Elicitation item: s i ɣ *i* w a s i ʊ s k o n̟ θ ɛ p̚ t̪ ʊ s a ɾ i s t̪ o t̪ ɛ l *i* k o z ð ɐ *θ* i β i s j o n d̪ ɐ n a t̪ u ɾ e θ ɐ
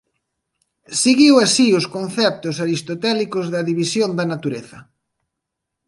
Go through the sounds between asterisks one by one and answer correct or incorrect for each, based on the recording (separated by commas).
correct, correct, incorrect